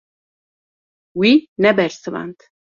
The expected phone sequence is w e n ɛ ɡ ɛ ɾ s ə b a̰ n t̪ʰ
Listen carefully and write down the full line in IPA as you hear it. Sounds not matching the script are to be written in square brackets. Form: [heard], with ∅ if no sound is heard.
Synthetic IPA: w [i] n ɛ [b] ɛ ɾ s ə [v] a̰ n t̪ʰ